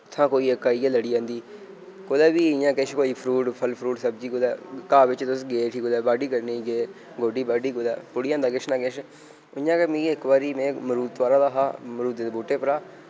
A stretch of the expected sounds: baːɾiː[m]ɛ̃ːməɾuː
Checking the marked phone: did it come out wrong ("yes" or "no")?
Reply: no